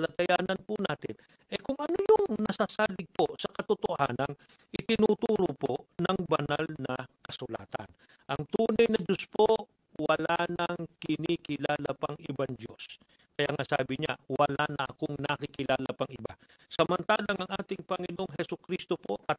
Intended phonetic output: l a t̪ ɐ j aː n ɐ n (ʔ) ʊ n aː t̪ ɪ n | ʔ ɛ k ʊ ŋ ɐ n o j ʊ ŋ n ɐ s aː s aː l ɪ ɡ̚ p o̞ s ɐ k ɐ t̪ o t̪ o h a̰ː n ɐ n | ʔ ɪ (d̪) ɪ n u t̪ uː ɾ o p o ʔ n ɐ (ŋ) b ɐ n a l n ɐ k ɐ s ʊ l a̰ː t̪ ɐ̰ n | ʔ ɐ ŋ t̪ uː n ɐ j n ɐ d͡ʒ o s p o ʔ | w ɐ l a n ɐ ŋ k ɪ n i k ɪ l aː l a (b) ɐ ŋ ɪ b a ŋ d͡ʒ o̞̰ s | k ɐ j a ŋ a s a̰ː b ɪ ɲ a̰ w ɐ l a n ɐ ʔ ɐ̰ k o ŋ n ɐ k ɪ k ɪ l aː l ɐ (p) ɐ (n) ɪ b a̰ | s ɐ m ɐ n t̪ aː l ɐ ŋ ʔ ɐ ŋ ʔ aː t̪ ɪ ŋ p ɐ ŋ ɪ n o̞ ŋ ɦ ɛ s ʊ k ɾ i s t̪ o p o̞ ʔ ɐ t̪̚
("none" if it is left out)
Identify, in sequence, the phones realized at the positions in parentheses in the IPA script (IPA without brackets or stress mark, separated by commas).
p, t̪, ŋ, p, p, ŋ